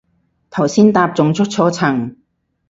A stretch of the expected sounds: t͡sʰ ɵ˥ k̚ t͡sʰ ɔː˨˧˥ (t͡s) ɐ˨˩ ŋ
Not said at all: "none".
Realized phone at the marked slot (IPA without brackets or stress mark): t͡sʰ